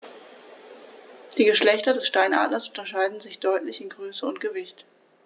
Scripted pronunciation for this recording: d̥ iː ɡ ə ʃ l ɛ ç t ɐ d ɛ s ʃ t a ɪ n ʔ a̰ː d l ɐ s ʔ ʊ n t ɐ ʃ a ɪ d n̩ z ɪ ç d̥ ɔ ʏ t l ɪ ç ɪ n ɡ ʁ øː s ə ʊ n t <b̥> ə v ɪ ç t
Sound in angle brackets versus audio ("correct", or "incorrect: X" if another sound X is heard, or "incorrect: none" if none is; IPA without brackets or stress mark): incorrect: ɡ̥